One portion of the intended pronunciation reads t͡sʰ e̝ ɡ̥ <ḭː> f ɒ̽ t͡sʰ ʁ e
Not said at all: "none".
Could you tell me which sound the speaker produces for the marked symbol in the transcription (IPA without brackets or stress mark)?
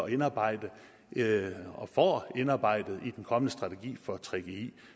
ḭː